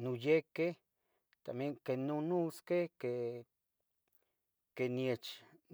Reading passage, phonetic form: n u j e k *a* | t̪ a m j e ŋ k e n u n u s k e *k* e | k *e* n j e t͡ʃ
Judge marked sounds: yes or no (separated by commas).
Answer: no, yes, yes